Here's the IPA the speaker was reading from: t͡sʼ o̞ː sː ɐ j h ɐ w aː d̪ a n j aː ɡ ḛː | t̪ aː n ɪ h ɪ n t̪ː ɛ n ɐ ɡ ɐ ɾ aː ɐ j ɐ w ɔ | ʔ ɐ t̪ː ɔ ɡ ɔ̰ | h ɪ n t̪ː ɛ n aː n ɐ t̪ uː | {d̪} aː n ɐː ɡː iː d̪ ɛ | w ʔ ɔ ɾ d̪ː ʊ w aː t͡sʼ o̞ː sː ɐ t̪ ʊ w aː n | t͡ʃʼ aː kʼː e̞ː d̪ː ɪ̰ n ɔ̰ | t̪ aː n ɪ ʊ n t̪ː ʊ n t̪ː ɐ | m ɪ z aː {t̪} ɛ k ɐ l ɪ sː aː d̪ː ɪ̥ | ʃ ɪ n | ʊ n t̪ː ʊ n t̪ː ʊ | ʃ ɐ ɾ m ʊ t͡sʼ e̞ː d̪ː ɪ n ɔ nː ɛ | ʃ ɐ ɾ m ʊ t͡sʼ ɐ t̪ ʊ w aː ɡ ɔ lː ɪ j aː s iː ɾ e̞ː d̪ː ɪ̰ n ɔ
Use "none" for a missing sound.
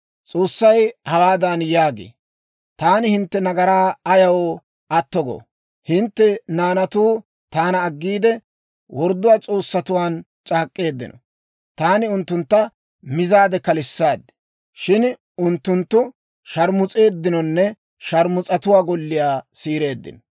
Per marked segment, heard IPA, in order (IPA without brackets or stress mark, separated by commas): t̪, d̪